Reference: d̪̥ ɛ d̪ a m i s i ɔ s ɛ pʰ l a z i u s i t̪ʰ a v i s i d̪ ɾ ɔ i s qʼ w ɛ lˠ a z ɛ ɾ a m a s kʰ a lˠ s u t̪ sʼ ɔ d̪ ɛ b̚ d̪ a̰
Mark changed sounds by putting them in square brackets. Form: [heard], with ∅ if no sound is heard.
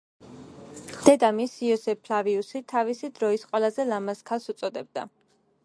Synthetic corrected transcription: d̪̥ ɛ d̪ a m i s i ɔ s ɛ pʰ l a [v] i u s i t̪ʰ a v i s i d̪ ɾ ɔ i s qʼ w ɛ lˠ a z ɛ [l] a m a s kʰ a lˠ s u t̪ sʼ ɔ d̪ ɛ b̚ d̪ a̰